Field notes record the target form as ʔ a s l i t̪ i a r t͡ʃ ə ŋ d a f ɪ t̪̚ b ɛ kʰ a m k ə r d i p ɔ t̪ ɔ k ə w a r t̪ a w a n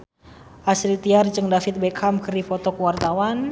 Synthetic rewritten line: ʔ a s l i t̪ i a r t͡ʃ ə ŋ d a f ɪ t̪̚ b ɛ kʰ a m k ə r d i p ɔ t̪ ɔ k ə w a r t̪ a w a n